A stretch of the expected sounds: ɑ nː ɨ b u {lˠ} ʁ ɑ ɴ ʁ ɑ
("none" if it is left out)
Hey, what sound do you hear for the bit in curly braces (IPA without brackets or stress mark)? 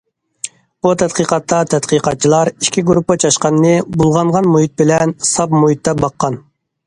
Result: lˠ